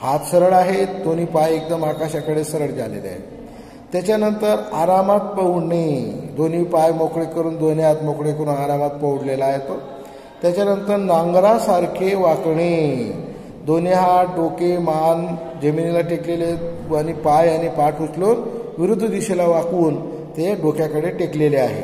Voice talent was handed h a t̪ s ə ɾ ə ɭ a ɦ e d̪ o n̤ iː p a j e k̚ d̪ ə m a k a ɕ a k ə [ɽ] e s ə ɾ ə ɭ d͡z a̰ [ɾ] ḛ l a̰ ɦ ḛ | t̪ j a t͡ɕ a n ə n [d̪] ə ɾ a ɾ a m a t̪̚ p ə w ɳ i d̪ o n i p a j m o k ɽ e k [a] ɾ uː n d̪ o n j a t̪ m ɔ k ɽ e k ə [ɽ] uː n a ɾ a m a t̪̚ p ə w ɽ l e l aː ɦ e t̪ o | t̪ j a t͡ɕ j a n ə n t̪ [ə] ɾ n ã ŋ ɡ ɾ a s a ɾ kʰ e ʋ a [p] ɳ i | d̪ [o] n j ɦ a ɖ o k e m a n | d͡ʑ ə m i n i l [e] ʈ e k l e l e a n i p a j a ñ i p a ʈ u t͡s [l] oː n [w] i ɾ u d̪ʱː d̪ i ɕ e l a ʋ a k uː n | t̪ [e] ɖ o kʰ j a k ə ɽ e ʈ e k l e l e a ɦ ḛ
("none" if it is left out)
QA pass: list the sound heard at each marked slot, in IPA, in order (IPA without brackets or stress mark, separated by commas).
ɽ, l, t̪, ə, ɾ, ə, k, o, a, l, ʋ, e